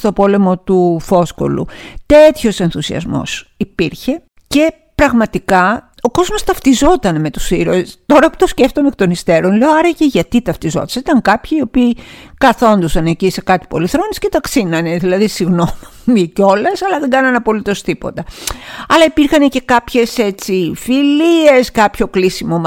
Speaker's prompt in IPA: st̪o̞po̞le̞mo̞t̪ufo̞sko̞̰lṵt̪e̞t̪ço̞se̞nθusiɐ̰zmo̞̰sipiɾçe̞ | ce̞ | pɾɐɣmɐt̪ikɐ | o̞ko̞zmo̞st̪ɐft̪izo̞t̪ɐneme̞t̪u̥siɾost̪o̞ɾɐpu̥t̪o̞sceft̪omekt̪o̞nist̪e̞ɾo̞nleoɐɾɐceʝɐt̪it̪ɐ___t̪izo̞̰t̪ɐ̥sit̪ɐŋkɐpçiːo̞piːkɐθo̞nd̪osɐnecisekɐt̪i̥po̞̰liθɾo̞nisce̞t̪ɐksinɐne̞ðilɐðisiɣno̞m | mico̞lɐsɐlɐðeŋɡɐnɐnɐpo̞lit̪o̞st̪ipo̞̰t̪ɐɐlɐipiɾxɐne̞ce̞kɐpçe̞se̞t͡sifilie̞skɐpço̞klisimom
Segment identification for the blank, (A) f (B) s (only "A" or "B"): A